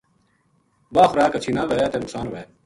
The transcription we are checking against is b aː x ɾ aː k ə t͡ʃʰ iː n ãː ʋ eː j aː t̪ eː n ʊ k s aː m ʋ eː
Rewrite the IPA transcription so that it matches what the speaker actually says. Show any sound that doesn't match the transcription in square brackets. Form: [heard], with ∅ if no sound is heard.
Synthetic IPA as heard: b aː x ɾ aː k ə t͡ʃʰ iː n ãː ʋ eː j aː t̪ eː n ʊ k s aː [n] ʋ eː